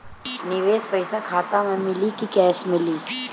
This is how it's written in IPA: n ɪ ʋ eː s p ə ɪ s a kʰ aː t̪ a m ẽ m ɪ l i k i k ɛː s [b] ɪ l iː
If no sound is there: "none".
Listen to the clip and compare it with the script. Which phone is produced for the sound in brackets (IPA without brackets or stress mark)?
m